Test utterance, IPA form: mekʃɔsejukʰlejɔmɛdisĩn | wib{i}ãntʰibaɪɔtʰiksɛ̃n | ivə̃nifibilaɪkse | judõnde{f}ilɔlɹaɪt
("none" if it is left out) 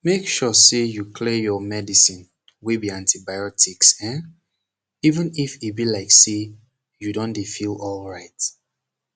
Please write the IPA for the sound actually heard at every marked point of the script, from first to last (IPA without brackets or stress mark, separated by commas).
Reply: i, f